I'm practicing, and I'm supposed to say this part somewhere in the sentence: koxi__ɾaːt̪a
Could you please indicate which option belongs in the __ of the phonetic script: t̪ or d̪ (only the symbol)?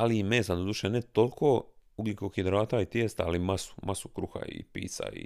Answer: d̪